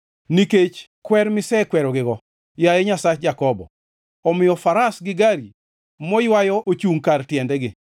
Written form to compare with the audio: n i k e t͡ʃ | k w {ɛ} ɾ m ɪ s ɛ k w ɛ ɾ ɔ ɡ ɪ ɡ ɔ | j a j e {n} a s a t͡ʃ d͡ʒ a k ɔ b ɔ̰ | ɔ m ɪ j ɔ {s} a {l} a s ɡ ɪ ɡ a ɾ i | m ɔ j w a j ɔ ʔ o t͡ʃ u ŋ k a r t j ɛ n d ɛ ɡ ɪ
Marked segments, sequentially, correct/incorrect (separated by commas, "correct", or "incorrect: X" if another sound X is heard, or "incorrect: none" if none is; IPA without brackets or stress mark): correct, incorrect: ɲ, incorrect: f, incorrect: ɾ